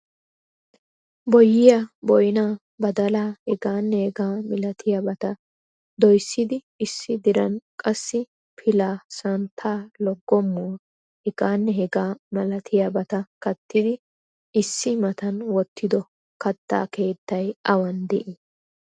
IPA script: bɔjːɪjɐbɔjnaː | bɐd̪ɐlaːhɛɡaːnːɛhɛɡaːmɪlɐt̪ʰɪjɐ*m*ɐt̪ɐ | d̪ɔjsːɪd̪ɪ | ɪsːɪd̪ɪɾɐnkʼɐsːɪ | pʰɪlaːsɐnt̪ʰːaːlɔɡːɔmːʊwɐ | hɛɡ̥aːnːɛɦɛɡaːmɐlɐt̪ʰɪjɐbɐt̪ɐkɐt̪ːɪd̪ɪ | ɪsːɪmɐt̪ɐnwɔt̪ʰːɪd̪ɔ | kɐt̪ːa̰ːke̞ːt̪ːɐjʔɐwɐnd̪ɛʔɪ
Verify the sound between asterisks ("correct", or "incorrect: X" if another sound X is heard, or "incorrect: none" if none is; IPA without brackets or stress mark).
incorrect: b